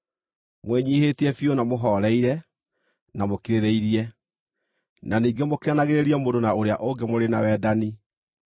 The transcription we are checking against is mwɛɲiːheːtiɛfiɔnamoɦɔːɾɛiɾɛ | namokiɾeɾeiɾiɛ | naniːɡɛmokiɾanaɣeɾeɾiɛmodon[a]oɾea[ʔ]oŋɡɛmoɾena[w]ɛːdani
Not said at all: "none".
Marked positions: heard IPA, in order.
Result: a, ʔ, w

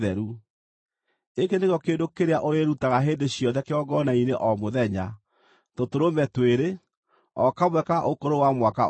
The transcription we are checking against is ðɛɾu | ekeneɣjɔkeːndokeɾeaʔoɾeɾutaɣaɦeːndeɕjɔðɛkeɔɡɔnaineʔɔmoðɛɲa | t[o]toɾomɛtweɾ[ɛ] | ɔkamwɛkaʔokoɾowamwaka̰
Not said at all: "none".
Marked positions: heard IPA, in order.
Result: o, e

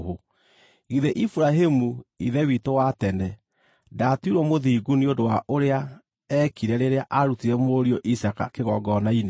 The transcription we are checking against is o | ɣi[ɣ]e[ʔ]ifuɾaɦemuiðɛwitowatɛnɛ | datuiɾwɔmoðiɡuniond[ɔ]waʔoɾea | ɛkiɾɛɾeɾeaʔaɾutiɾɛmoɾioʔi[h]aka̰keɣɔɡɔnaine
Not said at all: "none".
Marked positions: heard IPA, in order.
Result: ð, ʔ, o, s

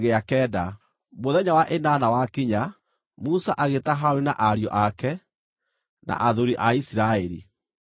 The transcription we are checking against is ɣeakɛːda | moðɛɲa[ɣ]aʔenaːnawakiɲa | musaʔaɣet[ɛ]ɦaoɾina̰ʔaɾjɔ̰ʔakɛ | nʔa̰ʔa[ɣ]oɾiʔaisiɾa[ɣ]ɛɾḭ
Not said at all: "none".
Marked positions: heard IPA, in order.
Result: w, a, ð, none

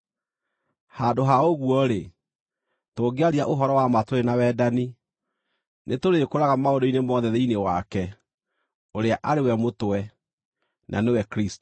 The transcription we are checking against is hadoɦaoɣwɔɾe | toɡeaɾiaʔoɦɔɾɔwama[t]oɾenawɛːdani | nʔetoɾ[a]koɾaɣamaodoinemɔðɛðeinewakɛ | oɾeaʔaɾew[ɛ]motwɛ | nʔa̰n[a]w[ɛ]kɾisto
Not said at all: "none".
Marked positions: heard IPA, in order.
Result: t, e, ɛ, e, ɛ

